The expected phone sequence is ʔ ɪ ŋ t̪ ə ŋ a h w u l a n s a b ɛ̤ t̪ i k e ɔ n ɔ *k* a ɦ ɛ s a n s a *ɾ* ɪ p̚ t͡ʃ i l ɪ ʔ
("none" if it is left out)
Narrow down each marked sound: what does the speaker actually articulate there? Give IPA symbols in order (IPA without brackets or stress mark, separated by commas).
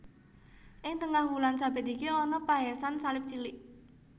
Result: p, l